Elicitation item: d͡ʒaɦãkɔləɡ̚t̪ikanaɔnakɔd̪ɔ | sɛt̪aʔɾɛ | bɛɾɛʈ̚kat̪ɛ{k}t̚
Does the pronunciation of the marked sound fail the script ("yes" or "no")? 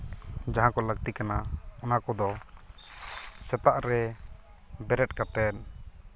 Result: yes